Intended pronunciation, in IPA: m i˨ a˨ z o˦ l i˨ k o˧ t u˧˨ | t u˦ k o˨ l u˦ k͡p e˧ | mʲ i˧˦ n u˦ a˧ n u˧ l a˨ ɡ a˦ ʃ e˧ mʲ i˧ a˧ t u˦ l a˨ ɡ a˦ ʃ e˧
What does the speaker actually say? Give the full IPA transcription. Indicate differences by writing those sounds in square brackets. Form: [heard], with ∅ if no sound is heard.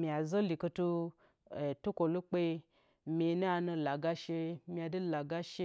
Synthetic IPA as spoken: m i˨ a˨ z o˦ l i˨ k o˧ t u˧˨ | t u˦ k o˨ l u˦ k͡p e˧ | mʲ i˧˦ n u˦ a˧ n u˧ l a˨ ɡ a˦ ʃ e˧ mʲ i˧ a˧ [d] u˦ l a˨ ɡ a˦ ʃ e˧